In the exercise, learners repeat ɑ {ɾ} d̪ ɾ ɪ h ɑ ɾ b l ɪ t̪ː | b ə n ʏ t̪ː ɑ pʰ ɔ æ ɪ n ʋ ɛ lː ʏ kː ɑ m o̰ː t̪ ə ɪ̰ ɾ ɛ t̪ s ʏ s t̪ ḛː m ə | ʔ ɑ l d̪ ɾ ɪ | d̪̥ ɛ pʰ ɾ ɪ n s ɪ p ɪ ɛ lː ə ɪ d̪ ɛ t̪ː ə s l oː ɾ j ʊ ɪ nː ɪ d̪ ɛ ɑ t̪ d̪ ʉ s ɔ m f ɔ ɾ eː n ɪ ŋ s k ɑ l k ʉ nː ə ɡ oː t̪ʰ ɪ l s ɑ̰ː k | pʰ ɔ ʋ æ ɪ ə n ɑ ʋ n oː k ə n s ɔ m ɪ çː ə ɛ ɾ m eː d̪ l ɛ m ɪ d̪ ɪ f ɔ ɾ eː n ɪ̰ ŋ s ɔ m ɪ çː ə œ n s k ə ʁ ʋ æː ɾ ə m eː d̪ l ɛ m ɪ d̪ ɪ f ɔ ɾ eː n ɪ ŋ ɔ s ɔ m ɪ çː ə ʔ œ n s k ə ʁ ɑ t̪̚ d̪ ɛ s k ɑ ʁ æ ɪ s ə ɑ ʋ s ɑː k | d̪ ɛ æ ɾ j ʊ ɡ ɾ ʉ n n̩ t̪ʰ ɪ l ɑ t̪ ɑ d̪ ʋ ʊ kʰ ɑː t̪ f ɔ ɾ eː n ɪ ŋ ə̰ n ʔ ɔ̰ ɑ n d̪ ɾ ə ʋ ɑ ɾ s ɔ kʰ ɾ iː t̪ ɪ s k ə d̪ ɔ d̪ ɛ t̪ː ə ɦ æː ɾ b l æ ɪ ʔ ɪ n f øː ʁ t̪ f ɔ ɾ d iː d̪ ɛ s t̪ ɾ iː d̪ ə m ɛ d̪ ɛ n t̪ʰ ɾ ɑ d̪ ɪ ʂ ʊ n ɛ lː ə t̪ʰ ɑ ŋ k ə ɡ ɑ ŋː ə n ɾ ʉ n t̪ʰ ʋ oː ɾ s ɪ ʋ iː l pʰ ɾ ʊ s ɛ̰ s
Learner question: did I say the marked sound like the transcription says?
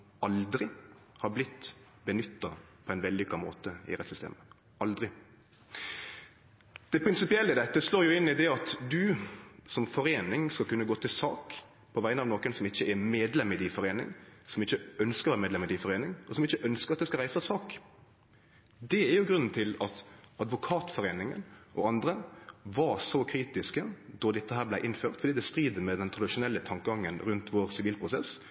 no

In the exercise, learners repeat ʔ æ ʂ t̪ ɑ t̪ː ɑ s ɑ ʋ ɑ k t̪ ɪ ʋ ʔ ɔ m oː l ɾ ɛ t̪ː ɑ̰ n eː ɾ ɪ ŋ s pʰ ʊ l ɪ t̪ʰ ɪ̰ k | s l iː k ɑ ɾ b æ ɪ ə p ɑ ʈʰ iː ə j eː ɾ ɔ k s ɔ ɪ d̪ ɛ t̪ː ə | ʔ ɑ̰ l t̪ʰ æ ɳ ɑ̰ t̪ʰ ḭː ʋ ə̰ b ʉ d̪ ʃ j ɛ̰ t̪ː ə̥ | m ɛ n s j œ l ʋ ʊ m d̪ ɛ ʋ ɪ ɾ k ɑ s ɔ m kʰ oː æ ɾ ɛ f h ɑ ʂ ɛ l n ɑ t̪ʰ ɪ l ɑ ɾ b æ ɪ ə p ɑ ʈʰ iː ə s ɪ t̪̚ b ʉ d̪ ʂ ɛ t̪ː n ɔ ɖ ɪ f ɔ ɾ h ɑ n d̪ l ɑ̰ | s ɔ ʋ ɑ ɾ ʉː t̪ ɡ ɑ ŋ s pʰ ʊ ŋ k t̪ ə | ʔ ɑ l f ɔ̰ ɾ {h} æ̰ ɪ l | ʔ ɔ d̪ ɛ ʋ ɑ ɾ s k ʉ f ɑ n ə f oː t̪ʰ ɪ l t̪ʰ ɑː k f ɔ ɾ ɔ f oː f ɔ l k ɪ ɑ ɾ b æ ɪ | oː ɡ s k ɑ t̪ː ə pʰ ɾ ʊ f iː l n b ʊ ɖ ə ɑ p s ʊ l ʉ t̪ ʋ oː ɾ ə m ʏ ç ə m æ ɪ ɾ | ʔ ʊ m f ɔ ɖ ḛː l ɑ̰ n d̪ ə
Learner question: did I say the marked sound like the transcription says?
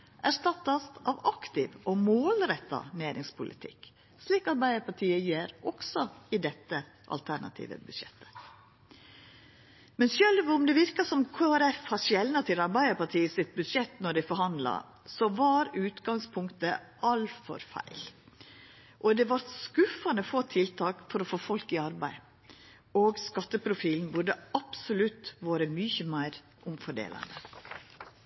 no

